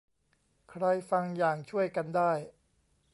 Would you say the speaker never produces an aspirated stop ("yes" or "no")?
no